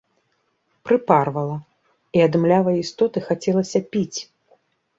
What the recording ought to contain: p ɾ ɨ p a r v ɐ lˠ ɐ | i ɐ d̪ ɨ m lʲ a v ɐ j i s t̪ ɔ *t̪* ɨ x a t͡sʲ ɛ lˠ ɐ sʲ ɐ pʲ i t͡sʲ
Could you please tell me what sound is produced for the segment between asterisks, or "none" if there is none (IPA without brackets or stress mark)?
t̪